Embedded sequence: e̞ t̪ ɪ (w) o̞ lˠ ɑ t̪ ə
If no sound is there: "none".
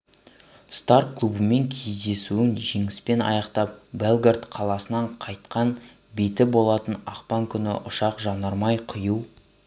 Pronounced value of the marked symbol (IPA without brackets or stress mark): b